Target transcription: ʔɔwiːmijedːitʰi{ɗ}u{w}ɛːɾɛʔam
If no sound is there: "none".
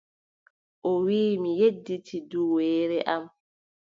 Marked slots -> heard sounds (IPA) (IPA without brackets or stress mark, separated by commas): d, w